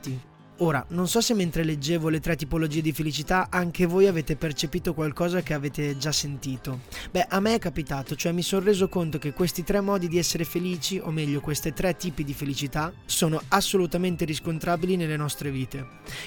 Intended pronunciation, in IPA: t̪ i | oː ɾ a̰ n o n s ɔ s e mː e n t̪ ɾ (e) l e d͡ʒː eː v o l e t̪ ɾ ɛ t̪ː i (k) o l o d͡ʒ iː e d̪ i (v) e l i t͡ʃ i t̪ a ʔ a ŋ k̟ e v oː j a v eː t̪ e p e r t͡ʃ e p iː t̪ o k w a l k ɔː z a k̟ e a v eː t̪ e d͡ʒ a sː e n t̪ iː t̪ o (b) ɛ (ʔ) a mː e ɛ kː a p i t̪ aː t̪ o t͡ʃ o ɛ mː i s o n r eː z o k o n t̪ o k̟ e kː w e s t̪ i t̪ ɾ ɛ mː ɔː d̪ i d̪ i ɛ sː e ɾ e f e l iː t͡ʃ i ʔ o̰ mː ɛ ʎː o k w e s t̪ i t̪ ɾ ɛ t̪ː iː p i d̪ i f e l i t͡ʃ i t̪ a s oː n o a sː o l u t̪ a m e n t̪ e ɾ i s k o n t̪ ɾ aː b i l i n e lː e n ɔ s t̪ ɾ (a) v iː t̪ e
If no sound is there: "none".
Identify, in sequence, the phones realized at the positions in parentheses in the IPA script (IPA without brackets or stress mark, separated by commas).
e, p, f, b, ʔ, e